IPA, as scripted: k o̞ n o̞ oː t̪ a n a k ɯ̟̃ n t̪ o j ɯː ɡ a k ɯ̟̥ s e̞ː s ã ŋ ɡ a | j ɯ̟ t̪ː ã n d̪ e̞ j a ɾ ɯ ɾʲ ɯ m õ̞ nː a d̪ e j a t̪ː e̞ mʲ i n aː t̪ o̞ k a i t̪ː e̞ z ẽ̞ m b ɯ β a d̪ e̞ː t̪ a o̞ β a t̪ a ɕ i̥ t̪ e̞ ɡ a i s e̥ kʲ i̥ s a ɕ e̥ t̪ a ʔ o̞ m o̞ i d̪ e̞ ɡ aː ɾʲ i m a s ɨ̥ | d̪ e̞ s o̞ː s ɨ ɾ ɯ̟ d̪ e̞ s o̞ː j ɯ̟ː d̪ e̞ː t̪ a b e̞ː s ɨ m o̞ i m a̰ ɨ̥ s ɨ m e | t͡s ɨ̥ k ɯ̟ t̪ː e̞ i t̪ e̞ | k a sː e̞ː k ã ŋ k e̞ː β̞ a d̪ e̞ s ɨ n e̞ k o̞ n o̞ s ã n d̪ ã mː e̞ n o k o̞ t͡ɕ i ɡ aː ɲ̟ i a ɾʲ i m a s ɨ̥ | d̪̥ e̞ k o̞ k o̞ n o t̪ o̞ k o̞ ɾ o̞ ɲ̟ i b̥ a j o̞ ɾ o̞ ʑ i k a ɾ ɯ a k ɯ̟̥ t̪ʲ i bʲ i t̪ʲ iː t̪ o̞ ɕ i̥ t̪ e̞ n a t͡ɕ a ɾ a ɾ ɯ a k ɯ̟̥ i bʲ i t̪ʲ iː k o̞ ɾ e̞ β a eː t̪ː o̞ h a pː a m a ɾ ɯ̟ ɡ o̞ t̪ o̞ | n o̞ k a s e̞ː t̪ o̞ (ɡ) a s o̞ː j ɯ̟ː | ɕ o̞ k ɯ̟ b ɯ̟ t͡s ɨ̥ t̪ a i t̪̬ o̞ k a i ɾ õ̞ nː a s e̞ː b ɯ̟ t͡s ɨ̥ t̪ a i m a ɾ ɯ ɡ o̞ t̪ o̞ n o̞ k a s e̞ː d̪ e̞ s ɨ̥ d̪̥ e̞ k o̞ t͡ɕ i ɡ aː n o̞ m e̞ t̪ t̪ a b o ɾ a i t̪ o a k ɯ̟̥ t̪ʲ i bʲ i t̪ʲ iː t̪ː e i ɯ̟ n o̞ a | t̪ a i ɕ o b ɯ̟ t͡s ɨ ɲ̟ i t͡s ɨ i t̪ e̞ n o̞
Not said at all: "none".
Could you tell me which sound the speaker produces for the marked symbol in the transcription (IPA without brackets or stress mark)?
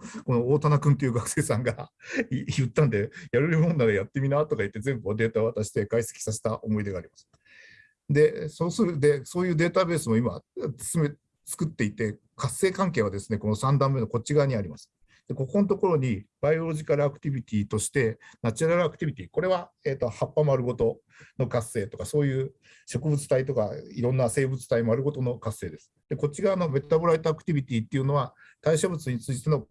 k